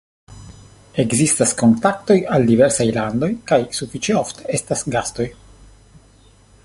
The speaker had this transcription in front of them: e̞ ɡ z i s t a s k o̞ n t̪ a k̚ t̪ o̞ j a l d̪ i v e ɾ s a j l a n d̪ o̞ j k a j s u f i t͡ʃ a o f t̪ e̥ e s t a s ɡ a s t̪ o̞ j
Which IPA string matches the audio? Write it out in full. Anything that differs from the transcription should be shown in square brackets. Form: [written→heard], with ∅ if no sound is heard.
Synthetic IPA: e̞ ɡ z i s t a s k o̞ n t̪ a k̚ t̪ o̞ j a l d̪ i v e ɾ s a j l a n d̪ o̞ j k a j s u f i t͡ʃ [a→e] o f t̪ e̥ e s t a s ɡ a s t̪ o̞ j